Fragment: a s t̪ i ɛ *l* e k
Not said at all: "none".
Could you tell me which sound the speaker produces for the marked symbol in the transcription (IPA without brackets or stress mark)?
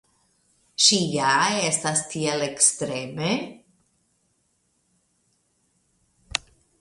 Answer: l